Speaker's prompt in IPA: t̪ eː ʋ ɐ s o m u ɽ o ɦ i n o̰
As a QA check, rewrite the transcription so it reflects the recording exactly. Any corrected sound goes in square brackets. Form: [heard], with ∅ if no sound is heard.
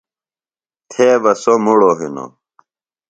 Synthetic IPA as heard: [t̪ʰ] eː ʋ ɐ s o m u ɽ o ɦ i n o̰

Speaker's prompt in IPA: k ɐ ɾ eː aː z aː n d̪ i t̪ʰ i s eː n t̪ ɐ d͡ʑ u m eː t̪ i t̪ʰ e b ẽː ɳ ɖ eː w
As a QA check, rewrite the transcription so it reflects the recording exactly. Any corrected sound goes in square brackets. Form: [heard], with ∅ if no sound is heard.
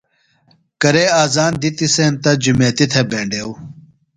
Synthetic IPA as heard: k ɐ ɾ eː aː z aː n d̪ i [t̪] i s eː n t̪ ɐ d͡ʑ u m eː t̪ i t̪ʰ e b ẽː ɳ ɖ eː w

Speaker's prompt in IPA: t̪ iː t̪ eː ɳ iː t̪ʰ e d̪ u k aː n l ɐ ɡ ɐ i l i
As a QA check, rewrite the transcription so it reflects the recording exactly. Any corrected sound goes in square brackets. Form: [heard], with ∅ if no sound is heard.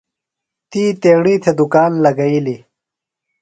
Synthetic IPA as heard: t̪ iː t̪ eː ɳ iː t̪ʰ e d̪ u k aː n l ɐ ɡ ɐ i l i

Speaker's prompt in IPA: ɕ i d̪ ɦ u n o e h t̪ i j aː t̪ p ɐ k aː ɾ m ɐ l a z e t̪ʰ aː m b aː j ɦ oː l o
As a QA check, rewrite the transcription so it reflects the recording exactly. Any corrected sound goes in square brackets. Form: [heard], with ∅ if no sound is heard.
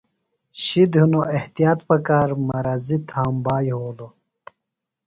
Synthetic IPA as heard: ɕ i d̪ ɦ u n o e h t̪ i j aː t̪ p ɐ k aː ɾ m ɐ [ɾ] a z [i] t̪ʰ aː m b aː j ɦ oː l o

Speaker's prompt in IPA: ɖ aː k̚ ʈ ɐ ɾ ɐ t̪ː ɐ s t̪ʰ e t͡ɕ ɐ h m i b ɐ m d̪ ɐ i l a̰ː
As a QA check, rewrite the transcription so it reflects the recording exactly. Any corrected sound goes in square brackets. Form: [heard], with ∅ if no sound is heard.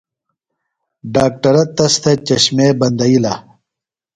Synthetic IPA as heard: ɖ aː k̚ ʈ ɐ ɾ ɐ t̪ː ɐ s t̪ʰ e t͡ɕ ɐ [ɕ] m [e] b ɐ [n] d̪ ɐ i l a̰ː

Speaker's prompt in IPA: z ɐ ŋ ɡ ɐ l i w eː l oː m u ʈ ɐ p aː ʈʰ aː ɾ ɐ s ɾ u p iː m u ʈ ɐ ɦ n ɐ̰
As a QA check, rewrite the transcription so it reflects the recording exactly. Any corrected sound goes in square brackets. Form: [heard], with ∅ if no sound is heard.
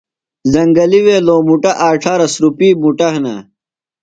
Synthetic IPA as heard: z ɐ ŋ ɡ ɐ l i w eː l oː m u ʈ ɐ [ʔ] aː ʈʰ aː ɾ ɐ s ɾ u p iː m u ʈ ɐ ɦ n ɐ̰

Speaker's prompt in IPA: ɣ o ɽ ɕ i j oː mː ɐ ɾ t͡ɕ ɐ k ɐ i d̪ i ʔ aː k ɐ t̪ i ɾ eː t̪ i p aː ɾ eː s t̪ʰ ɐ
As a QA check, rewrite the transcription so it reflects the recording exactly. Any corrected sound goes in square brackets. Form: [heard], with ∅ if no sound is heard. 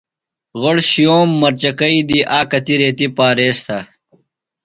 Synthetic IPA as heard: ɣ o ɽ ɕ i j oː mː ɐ ɾ t͡ɕ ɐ k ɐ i d̪ i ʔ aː k ɐ t̪ i ɾ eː t̪ i p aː ɾ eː s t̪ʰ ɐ

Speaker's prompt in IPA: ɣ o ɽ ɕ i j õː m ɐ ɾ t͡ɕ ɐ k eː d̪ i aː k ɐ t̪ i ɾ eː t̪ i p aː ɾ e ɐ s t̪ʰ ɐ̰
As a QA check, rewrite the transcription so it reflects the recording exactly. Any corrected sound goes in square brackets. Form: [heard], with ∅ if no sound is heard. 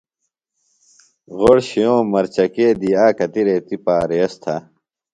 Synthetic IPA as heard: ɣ o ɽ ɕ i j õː m ɐ ɾ t͡ɕ ɐ k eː d̪ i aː k ɐ t̪ i ɾ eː t̪ i p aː ɾ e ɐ s t̪ʰ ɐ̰

